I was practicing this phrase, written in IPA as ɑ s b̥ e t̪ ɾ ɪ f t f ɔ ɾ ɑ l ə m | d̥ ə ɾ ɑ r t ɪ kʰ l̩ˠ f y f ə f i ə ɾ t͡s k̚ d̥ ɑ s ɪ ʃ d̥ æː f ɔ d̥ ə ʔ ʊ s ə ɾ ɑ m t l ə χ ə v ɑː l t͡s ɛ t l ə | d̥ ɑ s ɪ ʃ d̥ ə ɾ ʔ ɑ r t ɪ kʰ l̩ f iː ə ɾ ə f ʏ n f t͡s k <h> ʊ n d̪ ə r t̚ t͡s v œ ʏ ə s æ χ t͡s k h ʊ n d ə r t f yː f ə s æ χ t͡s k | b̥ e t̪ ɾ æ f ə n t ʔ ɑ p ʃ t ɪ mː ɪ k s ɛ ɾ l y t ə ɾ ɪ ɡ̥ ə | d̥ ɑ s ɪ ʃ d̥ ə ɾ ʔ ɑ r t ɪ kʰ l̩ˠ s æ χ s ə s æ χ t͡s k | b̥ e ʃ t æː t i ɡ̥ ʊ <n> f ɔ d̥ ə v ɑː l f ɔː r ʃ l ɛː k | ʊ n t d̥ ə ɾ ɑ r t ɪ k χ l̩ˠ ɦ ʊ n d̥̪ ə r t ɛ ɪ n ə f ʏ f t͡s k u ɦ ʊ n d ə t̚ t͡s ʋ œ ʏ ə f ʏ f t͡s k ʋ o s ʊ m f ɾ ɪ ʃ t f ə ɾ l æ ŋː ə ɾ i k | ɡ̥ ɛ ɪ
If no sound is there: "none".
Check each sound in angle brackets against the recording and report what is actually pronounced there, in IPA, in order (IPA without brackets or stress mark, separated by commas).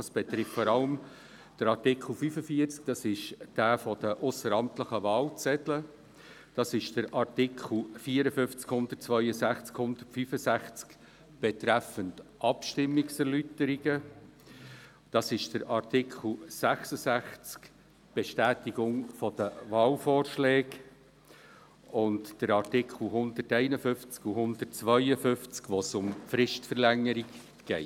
h, ŋ